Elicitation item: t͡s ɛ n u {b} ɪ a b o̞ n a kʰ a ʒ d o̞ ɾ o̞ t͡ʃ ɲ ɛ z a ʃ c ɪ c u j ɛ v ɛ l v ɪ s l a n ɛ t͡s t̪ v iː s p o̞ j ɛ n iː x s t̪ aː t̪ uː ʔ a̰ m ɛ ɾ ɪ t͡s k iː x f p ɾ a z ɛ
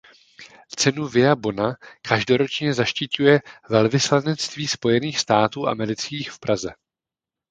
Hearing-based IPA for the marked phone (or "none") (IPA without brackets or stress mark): v